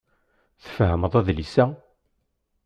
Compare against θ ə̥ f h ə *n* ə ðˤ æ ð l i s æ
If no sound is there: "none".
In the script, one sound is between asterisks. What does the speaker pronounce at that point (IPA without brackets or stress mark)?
m